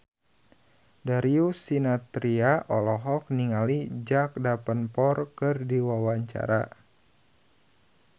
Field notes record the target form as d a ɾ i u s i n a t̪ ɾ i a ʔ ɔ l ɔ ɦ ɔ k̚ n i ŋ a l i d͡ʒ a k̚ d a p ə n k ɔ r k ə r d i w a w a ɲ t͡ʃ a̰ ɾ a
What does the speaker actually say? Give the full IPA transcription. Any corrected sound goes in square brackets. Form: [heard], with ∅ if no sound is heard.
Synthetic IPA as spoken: d a ɾ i u s i n a t̪ ɾ i a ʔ ɔ l ɔ ɦ ɔ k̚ n i ŋ a l i d͡ʒ a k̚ d a p ə n [p] ɔ r k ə r d i w a w a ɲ t͡ʃ a̰ ɾ a